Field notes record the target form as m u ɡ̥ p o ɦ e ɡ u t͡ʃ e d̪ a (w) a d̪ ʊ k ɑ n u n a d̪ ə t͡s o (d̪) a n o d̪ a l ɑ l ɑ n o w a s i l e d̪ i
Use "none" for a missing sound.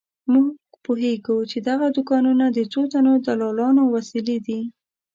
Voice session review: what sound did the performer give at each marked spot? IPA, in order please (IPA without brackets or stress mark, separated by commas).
ɣ, t̪